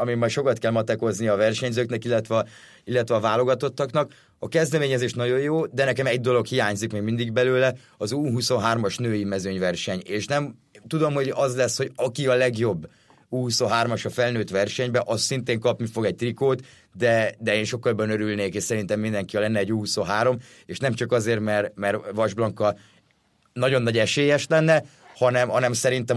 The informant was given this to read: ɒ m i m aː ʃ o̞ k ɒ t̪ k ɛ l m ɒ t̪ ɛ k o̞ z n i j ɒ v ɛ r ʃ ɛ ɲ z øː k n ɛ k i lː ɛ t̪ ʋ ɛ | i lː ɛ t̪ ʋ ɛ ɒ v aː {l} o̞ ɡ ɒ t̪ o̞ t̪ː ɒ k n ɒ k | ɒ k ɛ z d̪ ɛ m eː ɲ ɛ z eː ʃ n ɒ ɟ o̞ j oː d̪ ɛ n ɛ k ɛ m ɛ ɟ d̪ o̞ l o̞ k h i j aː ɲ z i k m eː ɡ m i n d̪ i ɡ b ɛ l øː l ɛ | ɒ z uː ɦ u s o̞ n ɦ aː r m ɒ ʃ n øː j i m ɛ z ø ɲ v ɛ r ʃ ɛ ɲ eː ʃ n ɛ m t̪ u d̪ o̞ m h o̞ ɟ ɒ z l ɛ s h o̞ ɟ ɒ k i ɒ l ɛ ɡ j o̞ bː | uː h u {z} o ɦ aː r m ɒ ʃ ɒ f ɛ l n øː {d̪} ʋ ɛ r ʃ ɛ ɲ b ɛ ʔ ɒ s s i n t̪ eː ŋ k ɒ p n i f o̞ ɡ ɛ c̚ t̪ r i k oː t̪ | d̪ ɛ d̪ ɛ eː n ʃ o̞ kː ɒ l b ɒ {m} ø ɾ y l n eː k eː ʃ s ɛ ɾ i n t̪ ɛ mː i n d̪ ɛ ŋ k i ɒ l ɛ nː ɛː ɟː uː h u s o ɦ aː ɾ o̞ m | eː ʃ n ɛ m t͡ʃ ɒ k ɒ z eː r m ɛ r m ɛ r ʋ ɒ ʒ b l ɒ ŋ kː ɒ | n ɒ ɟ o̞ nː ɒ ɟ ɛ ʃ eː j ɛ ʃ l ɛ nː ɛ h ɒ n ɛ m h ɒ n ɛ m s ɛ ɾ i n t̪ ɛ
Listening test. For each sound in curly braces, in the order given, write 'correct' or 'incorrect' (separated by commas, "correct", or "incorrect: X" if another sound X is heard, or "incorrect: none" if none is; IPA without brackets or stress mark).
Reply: correct, incorrect: s, incorrect: t̪, incorrect: n